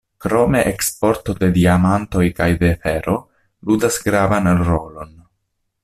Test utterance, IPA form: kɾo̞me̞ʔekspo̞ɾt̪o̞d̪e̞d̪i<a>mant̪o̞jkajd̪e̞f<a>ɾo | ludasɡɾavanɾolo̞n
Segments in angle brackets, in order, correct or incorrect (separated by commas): correct, incorrect